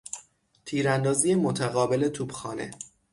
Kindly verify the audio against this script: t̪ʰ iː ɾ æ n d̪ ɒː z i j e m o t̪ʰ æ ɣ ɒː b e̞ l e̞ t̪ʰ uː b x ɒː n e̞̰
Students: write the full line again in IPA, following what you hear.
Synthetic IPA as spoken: t̪ʰ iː ɾ æ n d̪ ɒː z i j e m o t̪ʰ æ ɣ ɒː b e̞ l e̞ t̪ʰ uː b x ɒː n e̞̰